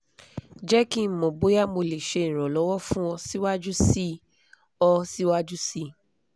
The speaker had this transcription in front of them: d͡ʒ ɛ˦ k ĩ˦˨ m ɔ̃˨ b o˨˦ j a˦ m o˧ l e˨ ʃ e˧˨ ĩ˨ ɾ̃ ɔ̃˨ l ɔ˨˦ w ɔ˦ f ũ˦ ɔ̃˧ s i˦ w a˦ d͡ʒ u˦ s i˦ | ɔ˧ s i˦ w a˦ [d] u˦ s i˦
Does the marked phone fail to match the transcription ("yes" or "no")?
yes